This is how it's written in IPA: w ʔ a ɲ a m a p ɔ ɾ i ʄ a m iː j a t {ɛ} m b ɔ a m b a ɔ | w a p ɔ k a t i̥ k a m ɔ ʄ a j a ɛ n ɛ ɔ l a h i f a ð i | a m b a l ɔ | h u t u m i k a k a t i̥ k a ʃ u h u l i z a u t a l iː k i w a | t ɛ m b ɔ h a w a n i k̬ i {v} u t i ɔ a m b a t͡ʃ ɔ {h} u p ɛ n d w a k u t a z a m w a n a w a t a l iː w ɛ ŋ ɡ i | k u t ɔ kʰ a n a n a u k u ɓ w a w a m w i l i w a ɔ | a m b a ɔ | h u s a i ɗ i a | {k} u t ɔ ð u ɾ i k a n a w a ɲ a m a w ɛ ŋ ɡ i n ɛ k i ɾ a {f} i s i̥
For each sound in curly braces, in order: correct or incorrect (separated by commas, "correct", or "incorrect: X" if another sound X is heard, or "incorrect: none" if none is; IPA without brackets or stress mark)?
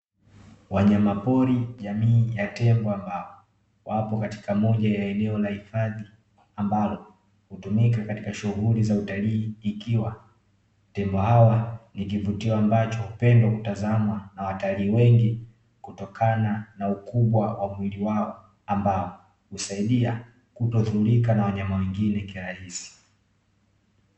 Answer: correct, correct, correct, correct, incorrect: h